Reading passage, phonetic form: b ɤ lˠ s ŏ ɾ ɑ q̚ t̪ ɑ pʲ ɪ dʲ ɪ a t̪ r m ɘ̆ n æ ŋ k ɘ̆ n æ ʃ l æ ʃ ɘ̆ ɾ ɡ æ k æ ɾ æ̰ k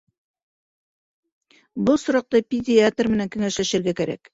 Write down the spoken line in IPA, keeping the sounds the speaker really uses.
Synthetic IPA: b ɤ lˠ s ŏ ɾ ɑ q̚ t̪ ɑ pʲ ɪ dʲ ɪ a t̪ r m ɘ̆ n æ ŋ k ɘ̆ ŋ æ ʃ l æ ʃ ɘ̆ ɾ ɡ æ k æ ɾ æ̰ k